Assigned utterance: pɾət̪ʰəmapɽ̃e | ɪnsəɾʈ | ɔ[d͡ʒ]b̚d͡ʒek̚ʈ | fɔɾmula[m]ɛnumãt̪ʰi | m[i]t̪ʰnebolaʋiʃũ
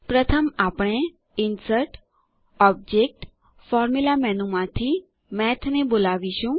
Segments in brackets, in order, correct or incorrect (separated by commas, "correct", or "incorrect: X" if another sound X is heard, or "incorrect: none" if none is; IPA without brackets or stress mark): incorrect: none, correct, incorrect: ɛ